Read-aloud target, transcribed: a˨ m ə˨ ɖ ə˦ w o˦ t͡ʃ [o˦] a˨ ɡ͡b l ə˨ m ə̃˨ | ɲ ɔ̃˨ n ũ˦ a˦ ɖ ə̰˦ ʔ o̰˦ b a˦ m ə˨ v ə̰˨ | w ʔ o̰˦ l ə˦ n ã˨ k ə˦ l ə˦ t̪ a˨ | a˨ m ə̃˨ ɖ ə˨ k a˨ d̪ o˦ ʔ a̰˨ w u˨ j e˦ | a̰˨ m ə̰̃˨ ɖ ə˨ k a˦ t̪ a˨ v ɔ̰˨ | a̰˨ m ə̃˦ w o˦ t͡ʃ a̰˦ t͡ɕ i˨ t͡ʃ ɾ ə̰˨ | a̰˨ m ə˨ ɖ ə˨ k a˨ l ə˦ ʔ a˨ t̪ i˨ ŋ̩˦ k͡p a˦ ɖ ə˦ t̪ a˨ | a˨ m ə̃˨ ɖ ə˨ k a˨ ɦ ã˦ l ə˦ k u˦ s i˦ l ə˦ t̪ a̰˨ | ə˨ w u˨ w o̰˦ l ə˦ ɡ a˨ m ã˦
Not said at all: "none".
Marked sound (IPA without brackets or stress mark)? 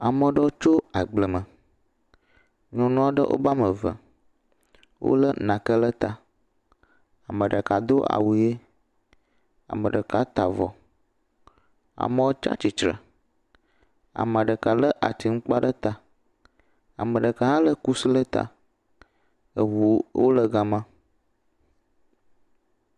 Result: o˦